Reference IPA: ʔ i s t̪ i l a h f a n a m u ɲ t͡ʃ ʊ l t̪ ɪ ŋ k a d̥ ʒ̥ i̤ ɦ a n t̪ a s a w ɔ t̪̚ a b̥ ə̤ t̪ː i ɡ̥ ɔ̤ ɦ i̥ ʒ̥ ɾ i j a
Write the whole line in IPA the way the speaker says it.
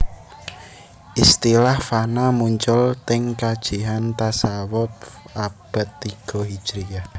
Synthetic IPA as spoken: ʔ i s t̪ i l a h f a n a m u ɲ t͡ʃ ʊ l t̪ ɪ ŋ k a d̥ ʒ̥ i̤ ɦ a n t̪ a s a w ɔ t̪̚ a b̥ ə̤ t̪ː i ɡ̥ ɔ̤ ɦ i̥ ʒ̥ ɾ i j a